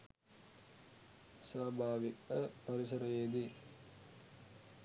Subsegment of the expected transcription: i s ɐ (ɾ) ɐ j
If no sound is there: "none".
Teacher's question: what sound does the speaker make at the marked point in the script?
ɾ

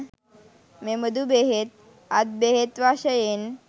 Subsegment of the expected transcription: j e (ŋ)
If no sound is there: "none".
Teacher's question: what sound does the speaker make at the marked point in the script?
n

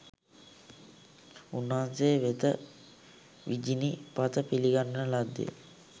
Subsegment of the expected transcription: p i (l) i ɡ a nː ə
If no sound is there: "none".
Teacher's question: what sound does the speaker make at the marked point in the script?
l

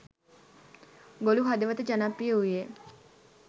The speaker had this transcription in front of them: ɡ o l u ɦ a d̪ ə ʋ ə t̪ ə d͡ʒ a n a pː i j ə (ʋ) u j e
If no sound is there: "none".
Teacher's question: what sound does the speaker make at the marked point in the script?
none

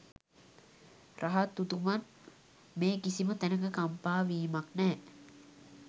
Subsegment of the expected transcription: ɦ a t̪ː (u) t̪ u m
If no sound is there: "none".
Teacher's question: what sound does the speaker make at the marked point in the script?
u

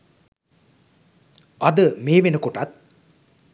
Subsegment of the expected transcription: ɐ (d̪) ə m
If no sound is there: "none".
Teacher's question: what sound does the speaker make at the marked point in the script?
d̪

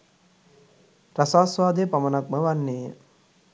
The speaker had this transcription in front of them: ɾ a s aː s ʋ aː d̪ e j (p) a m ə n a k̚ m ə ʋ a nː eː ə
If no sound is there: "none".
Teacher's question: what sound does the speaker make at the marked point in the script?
p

